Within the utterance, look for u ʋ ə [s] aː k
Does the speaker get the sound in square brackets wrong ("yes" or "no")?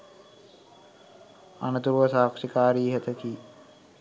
no